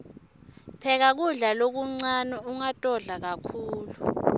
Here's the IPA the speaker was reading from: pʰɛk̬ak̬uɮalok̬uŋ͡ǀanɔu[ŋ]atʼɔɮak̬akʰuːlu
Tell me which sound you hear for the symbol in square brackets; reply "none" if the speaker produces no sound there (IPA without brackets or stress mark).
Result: ŋ